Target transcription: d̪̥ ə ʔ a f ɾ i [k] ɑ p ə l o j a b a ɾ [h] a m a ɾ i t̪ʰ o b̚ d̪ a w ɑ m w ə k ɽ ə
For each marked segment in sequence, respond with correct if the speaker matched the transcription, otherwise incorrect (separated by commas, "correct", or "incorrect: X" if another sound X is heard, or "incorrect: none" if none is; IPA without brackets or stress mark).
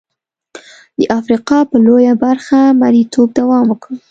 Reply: incorrect: q, incorrect: x